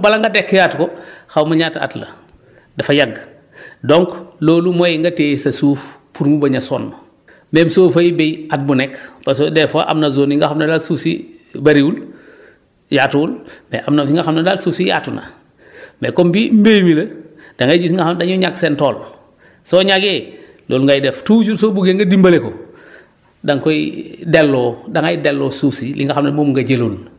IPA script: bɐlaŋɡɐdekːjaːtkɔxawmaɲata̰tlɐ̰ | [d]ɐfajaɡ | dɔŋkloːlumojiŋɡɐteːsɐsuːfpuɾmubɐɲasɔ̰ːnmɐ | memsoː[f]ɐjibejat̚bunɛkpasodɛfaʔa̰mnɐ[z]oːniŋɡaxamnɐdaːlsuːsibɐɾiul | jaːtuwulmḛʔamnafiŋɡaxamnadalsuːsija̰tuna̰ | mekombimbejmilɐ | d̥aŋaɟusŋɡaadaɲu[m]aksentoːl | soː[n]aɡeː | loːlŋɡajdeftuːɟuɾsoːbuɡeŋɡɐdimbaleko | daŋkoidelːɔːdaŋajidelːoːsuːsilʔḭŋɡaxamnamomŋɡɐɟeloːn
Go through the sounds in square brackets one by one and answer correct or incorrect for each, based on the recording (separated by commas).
correct, correct, correct, incorrect, incorrect